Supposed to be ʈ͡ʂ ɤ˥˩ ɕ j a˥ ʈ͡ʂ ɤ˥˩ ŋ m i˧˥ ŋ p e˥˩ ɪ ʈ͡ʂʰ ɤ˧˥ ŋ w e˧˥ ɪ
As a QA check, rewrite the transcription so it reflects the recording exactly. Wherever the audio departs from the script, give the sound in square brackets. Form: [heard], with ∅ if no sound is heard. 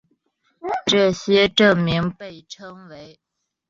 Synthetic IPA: ʈ͡ʂ ɤ˥˩ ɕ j [ɛ˥] ʈ͡ʂ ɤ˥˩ ŋ m i˧˥ ŋ p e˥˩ ɪ ʈ͡ʂʰ [ɤ˥] ŋ w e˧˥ ɪ